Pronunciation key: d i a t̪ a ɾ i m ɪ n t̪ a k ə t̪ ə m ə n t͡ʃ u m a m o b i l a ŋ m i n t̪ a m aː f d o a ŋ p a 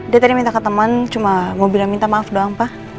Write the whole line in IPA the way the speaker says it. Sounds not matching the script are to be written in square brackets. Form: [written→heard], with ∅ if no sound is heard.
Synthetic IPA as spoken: d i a t̪ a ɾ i m [ɪ→i] n t̪ a k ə t̪ ə m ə n t͡ʃ u m a m o b i l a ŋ m i n t̪ a m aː f d o a ŋ p a